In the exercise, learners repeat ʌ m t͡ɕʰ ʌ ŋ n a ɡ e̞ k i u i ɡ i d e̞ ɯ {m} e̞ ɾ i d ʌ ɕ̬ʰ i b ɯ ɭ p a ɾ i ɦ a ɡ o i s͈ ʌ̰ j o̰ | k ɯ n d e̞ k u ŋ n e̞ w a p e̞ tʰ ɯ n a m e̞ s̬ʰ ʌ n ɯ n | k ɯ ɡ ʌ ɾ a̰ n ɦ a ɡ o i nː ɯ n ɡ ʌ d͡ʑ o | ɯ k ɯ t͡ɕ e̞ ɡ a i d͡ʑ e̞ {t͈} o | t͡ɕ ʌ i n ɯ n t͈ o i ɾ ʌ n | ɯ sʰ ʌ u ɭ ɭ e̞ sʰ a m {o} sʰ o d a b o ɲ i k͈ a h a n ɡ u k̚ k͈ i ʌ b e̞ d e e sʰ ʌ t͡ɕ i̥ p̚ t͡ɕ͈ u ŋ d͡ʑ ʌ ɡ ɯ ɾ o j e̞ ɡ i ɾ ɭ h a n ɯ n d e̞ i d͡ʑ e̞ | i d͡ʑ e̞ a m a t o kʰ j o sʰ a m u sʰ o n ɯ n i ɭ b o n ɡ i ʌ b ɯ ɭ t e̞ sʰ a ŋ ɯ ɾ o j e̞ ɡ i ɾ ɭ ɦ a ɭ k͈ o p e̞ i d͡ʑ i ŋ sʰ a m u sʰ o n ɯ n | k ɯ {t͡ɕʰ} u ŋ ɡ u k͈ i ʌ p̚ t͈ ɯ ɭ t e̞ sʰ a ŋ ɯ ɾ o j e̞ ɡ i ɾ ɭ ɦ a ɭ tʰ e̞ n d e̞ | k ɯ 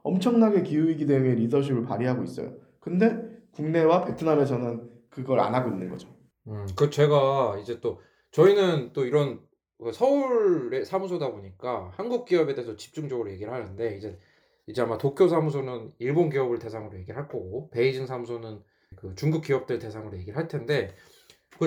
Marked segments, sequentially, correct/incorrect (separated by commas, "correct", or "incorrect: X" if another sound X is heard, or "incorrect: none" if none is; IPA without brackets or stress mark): incorrect: ŋ, correct, incorrect: u, incorrect: t͡ɕ